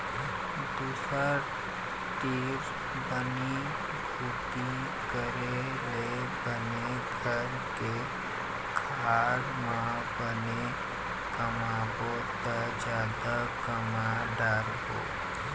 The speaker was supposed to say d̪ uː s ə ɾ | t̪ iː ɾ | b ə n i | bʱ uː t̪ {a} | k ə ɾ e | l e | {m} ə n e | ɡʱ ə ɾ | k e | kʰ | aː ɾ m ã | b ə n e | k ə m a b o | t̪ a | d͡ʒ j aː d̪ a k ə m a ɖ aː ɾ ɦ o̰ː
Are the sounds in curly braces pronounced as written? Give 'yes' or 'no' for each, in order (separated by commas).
no, no